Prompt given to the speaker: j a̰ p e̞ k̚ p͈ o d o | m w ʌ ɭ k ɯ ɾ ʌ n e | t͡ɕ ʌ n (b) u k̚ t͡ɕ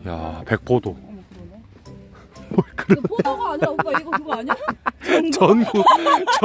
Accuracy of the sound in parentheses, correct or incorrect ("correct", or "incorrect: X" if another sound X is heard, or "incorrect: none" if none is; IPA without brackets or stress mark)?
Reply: incorrect: ɡ